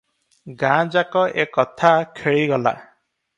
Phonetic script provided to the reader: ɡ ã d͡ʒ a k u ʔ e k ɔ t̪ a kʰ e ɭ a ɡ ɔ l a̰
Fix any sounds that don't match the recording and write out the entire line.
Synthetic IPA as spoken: ɡ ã d͡ʒ a k ɔ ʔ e k ɔ t̪ʰ a kʰ e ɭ i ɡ ɔ l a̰